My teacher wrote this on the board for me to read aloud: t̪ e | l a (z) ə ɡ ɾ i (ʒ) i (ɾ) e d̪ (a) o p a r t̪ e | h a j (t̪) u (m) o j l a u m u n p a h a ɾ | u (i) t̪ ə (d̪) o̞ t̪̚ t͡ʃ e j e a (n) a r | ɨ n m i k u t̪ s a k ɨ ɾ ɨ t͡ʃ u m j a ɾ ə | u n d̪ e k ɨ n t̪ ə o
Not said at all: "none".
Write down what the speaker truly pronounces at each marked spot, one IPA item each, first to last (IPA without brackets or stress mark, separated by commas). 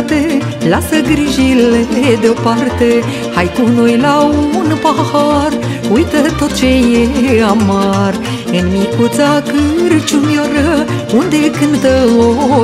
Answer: s, ʒ, l, e, t̪, n, j, t̪, m